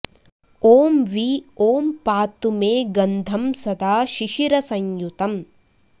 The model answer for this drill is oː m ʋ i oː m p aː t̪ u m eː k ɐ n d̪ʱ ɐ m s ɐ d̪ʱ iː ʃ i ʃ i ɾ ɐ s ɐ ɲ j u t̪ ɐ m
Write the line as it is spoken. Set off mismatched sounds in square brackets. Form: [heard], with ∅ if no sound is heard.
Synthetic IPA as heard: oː m ʋ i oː m p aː t̪ u m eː [ɡ] ɐ n d̪ʱ ɐ m s ɐ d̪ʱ [aː] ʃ i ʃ i ɾ ɐ s ɐ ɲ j u t̪ ɐ m